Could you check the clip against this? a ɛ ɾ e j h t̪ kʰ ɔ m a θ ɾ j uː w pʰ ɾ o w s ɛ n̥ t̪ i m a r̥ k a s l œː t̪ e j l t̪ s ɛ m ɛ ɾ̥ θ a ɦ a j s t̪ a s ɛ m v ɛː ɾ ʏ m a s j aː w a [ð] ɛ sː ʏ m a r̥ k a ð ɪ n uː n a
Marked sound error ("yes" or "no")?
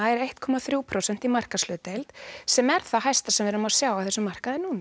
yes